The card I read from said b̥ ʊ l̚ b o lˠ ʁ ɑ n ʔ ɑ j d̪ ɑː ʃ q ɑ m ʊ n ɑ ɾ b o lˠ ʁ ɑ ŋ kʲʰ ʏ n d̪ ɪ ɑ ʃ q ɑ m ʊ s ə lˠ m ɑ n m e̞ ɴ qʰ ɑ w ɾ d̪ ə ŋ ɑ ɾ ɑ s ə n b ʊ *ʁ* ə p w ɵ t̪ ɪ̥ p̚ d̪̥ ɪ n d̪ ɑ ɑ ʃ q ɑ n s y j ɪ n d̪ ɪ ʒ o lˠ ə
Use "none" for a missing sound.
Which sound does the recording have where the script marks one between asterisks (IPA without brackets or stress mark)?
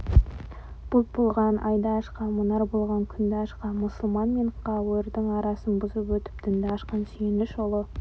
z